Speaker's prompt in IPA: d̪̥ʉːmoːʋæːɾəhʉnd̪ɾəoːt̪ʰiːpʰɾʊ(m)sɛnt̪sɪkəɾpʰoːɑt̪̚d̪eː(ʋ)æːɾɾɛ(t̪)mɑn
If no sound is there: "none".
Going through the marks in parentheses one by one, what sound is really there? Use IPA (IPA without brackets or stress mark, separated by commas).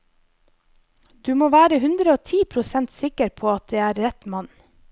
none, none, t̪